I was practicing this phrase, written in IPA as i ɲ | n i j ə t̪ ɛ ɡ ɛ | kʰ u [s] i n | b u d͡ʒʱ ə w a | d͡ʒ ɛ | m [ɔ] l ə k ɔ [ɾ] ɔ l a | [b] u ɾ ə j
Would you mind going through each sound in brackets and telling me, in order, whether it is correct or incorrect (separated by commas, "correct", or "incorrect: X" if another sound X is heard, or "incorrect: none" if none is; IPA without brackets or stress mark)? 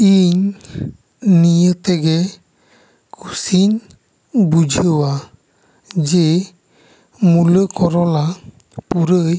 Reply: correct, incorrect: u, correct, incorrect: p